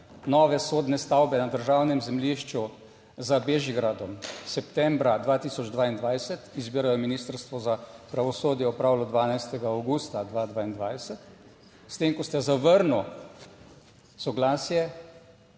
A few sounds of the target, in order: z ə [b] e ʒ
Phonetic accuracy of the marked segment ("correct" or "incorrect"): correct